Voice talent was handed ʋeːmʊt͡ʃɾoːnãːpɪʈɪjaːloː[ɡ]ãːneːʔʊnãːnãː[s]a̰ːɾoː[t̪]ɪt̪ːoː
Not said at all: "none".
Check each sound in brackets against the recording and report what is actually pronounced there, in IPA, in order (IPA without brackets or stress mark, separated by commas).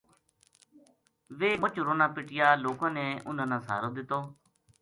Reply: k, s, d̪